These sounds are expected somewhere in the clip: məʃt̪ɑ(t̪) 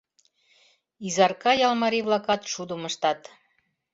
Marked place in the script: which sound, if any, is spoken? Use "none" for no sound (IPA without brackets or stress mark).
t̪